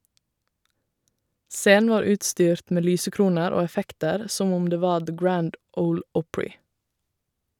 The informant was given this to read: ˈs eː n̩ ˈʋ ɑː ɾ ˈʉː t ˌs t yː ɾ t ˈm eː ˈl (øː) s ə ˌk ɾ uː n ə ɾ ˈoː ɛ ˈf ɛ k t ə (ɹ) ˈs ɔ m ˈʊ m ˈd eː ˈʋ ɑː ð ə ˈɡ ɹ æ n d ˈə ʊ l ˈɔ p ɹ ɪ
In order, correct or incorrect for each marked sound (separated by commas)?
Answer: incorrect, incorrect